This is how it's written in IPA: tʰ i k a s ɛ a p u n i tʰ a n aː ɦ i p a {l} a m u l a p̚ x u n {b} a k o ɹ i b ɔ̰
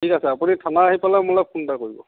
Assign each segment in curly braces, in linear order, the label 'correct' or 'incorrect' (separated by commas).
correct, incorrect